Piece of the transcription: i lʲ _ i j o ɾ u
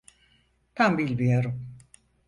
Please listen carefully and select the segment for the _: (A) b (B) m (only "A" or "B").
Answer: A